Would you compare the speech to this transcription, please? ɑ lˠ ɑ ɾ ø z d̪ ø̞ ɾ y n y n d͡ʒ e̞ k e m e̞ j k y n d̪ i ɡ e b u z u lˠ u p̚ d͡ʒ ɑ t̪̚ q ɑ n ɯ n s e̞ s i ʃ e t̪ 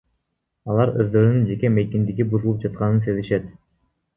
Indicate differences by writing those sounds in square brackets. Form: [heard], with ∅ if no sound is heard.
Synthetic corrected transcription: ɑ lˠ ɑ ɾ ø z d̪ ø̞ ɾ y n y n d͡ʒ e̞ k e m e̞ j k [i] n d̪ i ɡ [i] b u z u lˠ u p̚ d͡ʒ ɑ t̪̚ q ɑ n ɯ n s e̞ [z] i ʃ e t̪